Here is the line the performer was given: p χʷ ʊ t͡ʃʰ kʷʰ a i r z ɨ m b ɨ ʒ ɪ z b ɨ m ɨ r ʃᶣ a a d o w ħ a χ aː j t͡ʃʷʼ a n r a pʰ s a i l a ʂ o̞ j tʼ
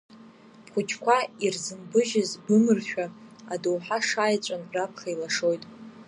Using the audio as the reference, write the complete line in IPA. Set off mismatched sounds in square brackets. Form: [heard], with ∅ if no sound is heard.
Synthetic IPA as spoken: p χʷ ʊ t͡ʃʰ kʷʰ a i r z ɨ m b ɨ ʒ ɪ z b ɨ m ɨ r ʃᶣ a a d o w ħ a [ʂ] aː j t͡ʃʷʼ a n r a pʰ [χ] a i l a ʂ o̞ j tʼ